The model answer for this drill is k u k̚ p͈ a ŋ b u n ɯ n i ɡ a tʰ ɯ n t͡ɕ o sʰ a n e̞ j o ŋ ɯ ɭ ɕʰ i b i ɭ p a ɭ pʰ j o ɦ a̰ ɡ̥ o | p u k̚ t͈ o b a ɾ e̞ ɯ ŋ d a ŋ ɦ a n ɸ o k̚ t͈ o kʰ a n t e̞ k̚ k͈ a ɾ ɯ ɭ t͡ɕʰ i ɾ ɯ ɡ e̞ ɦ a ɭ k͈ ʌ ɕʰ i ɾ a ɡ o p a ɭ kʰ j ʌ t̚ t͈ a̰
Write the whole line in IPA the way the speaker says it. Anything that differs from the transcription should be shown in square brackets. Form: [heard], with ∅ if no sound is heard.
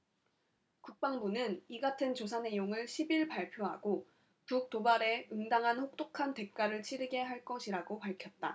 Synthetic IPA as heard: k u k̚ p͈ a ŋ b u n ɯ n i ɡ a tʰ ɯ n t͡ɕ o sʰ a n e̞ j o ŋ ɯ ɭ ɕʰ i b i ɭ p a ɭ pʰ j o ɦ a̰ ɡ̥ o | p u k̚ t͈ o b a ɾ e̞ ɯ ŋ d a ŋ ɦ a n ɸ o k̚ t͈ o kʰ a n t e̞ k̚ k͈ a ɾ ɯ ɭ t͡ɕʰ i ɾ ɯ ɡ e̞ ɦ a ɭ k͈ ʌ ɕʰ i ɾ a ɡ o p a ɭ kʰ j ʌ t̚ t͈ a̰